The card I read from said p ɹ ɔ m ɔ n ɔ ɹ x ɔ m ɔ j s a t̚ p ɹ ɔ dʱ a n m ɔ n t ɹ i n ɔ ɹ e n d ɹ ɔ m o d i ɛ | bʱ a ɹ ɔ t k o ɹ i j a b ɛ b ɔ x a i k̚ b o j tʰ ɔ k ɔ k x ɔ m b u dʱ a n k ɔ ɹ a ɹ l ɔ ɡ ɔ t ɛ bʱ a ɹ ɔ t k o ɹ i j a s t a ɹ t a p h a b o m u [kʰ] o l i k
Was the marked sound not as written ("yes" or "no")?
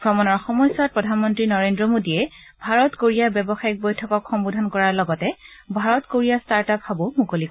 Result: yes